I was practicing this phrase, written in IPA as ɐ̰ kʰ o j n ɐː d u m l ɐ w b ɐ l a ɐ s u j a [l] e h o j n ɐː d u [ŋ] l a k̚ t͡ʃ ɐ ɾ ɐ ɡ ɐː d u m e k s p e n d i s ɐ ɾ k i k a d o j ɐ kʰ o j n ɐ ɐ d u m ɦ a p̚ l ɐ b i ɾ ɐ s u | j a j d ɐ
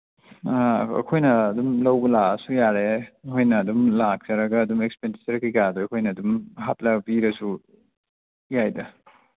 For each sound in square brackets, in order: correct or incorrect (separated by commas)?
incorrect, incorrect